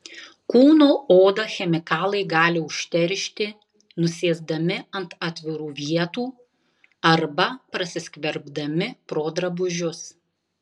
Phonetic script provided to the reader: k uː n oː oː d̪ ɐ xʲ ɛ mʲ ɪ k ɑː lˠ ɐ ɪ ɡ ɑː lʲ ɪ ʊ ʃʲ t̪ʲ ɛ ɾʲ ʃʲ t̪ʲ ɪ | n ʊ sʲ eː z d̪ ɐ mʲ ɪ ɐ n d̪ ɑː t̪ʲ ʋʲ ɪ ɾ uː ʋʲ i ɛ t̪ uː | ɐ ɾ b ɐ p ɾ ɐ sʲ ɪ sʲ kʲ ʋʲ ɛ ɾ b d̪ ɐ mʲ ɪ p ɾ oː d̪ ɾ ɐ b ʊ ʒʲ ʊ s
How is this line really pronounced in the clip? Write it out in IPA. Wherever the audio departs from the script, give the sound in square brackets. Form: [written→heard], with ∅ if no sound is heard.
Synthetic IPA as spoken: k uː n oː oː d̪ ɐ xʲ ɛ mʲ ɪ k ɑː lˠ ɐ ɪ ɡ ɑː lʲ ɪ ʊ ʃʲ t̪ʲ ɛ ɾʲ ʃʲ t̪ʲ ɪ | n ʊ sʲ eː z d̪ ɐ mʲ ɪ ɐ n [d̪→t̪] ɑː t̪ʲ ʋʲ ɪ ɾ uː ʋʲ i ɛ t̪ uː | ɐ ɾ b ɐ p ɾ ɐ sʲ ɪ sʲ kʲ ʋʲ ɛ ɾ b d̪ ɐ mʲ ɪ p ɾ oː d̪ ɾ ɐ b ʊ ʒʲ ʊ s